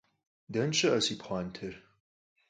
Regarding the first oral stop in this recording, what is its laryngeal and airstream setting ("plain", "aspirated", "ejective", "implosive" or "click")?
plain